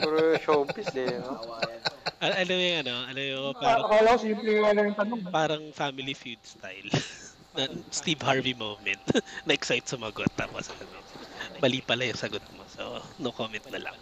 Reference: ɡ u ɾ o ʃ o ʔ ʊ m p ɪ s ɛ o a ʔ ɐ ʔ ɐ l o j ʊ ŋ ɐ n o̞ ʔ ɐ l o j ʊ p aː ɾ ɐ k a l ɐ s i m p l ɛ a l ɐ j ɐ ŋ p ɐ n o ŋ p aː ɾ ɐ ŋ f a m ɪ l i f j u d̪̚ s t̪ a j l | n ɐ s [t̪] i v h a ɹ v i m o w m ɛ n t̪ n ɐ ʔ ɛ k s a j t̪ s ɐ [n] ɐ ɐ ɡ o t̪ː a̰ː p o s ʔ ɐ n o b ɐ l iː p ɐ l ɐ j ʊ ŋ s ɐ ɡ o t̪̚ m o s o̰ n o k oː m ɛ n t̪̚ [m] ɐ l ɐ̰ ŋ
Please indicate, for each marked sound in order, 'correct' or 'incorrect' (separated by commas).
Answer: correct, incorrect, incorrect